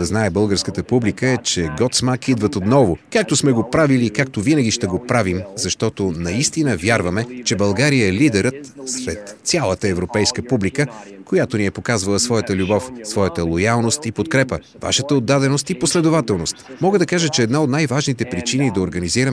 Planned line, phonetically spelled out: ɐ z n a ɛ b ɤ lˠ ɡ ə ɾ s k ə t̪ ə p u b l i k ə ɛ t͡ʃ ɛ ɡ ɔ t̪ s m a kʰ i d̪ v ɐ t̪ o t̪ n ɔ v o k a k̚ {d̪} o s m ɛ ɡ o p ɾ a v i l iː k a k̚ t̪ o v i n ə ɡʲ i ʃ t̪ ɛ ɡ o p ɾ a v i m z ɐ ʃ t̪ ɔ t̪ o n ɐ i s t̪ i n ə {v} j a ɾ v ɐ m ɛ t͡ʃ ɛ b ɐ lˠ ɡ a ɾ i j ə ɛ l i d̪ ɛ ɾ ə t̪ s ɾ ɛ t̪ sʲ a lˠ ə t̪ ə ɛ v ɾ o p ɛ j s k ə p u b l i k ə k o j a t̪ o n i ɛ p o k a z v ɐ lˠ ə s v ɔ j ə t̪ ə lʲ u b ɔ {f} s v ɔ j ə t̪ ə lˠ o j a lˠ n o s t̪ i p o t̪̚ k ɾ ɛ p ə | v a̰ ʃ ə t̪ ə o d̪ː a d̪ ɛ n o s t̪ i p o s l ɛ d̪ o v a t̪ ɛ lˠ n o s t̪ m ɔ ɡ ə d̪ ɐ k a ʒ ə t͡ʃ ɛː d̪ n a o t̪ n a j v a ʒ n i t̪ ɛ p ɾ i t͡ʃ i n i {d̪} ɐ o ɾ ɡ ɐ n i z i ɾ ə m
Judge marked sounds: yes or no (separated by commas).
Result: no, yes, yes, yes